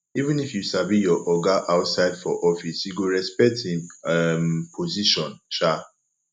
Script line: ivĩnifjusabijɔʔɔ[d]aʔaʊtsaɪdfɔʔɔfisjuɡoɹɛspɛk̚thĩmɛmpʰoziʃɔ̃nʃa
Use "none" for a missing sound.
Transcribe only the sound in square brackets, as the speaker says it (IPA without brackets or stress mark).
ɡ